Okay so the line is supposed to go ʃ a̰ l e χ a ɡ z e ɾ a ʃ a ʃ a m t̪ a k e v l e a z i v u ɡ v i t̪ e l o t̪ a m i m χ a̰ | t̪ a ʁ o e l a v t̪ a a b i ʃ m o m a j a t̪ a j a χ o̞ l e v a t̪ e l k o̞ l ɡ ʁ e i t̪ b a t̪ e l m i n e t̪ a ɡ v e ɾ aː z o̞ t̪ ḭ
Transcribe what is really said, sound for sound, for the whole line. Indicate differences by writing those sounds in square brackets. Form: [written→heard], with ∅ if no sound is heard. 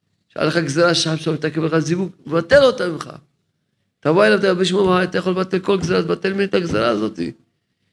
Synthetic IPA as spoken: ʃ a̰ l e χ a ɡ z e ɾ a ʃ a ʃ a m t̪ a k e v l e a z i v u ɡ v [i→a] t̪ e l o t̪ a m i m χ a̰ | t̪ a [ʁ→v] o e l a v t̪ a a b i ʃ m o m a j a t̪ a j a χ o̞ l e v a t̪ e l k o̞ l ɡ [ʁ→z] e [i→a] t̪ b a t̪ e l m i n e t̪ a ɡ [v→z] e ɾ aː z o̞ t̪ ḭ